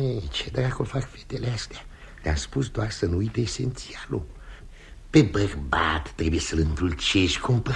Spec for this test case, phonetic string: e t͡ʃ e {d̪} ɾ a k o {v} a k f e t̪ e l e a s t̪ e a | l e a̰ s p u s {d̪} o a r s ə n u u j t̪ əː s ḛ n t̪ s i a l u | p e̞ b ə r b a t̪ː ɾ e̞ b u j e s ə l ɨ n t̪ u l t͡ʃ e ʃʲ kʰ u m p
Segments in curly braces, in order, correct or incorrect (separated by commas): correct, incorrect, correct